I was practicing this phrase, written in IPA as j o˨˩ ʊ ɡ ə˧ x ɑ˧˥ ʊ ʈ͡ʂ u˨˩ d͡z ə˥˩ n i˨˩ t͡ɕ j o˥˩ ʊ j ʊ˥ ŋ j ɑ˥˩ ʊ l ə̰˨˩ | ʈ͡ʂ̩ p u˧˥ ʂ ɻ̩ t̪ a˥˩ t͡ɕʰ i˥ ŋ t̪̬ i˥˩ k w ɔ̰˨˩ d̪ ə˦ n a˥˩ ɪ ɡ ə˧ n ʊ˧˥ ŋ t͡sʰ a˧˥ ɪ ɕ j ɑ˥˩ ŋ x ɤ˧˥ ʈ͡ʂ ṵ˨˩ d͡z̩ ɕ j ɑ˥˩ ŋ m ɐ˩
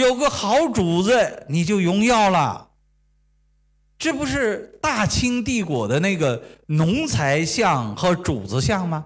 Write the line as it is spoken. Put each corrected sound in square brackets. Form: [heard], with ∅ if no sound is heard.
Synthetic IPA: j o˨˩ ʊ ɡ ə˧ x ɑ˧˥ ʊ ʈ͡ʂ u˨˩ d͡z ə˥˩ n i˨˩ t͡ɕ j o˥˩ ʊ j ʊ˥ ŋ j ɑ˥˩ ʊ l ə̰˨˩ | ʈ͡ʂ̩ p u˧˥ ʂ ɻ̩ t̪ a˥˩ t͡ɕʰ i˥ ŋ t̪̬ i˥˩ k w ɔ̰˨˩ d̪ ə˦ n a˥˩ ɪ ɡ [ə˩] n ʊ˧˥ ŋ t͡sʰ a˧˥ ɪ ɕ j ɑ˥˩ ŋ x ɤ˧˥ ʈ͡ʂ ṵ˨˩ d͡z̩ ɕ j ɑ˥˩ ŋ m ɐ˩